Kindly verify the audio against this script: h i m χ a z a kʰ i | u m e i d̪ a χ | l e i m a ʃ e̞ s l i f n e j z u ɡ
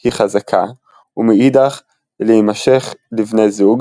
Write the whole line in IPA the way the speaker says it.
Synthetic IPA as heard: h i χ a z a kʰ a | u m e i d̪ a χ | l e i m a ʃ e̞ χ l i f n e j z u ɡ